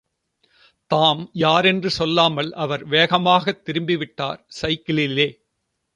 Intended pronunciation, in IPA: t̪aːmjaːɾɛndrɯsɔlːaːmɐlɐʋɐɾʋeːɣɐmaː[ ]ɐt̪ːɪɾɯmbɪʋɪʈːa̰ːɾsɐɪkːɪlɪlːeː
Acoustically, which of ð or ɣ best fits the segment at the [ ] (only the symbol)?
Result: ɣ